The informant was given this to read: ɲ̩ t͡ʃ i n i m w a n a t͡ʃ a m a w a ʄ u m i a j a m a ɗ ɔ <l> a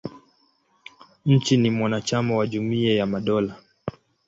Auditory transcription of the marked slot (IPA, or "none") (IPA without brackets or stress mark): l